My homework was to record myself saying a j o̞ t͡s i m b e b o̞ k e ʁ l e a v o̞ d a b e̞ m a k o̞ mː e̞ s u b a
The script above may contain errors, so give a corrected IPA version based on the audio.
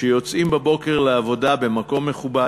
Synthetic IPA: e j o̞ t͡s i m b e b o̞ k e ʁ l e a v o̞ d a b e̞ m a k o̞ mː e̞ χ u b a

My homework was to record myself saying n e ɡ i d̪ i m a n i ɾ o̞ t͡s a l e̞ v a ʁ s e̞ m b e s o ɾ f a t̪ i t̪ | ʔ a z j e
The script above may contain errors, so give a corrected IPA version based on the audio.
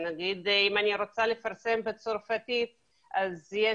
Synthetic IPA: n a ɡ i d̪ i m a n i ɾ o̞ t͡s a l e̞ f a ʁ s e̞ m b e t͡s o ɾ f a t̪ i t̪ | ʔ a z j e

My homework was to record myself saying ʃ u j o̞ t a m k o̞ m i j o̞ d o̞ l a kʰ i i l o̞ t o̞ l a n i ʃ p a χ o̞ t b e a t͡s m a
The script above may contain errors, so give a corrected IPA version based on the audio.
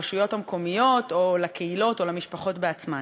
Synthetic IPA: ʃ u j o̞ t a m k o̞ m i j o̞ t o̞ l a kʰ e i l o̞ t o̞ l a m i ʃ p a χ o̞ t b e a t͡s m a

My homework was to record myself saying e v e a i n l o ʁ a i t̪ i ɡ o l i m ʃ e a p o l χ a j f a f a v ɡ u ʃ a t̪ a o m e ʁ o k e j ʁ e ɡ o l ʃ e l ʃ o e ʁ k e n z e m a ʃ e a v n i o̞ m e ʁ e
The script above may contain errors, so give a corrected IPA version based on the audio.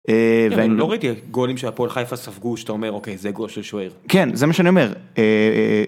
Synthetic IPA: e v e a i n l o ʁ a i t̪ i ɡ o l i m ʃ e a p o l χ a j f a s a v ɡ u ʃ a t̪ a o m e ʁ o k e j z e ɡ o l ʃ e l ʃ o e ʁ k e n z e m a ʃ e a n i o̞ m e ʁ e

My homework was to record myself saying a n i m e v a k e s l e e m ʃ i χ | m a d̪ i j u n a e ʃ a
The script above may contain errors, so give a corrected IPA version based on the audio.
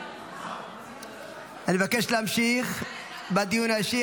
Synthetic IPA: a n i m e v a k e ʃ l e a m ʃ i χ | b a d̪ i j u n a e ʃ i

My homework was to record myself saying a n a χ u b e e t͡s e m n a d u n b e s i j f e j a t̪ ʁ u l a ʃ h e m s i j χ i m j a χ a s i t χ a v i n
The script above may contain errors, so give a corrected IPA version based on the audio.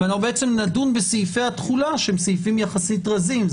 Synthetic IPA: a n a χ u b e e t͡s e m n a d u n b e s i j f e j a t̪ χ u l a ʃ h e m s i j f i m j a χ a s i t ʁ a z i m

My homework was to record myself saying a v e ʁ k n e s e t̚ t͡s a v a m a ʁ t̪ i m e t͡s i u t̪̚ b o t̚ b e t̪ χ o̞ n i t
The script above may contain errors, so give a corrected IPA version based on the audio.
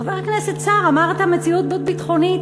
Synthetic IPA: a v e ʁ k n e s e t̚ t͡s a ʁ a m a ʁ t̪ a m e t͡s i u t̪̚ b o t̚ b i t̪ χ o̞ n i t

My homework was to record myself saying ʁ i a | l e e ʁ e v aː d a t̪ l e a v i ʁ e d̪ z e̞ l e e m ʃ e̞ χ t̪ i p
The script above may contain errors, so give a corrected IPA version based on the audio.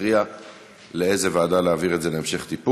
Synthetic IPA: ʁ i a | l e e z e v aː d a l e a v i ʁ e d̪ z e̞ l e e m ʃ e̞ χ t̪ i p

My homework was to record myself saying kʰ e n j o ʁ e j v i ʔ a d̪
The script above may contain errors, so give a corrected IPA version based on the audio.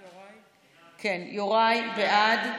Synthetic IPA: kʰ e n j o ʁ a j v e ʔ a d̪

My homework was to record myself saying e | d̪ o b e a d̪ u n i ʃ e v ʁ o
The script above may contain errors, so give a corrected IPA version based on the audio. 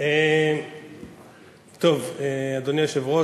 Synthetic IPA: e | t̪ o v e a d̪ o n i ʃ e v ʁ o

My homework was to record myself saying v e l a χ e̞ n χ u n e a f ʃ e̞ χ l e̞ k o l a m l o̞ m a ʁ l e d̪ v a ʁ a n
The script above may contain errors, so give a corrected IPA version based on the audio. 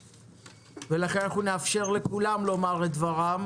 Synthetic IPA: v e l a χ e̞ n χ u n e a f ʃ e̞ ʁ l e̞ k u l a m l o̞ m a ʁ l e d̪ v a ʁ a m

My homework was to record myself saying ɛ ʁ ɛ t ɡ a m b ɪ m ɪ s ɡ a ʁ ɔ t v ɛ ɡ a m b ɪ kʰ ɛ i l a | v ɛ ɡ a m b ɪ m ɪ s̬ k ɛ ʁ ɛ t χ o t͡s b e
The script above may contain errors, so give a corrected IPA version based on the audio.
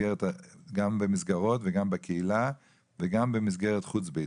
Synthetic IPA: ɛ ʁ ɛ t ɡ a m b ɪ m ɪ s ɡ a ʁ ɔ t v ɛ ɡ a m b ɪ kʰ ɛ i l a | v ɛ ɡ a m b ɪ m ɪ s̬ ɡ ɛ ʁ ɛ t χ u t͡s b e

